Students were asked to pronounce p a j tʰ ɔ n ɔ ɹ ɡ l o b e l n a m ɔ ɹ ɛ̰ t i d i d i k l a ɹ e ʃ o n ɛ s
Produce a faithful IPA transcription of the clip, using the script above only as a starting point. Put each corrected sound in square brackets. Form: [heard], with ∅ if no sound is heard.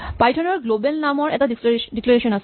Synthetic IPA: p a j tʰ ɔ n ɔ ɹ ɡ l o b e l n a m ɔ ɹ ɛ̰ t [a] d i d i k l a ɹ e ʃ [ɔ] n [a] s